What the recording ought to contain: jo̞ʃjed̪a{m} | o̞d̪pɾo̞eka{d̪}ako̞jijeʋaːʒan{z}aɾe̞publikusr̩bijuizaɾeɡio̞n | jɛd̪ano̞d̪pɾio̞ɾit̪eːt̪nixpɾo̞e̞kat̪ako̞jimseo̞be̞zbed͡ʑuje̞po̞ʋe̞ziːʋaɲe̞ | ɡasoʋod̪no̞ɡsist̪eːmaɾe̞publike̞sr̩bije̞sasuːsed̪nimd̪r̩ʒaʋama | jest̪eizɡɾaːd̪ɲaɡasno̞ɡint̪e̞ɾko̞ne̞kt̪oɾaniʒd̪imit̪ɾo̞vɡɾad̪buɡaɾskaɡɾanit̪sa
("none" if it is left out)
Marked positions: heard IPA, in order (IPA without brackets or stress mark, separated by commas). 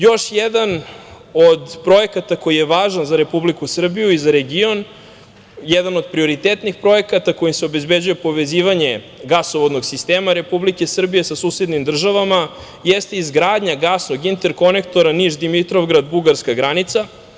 n, t̪, z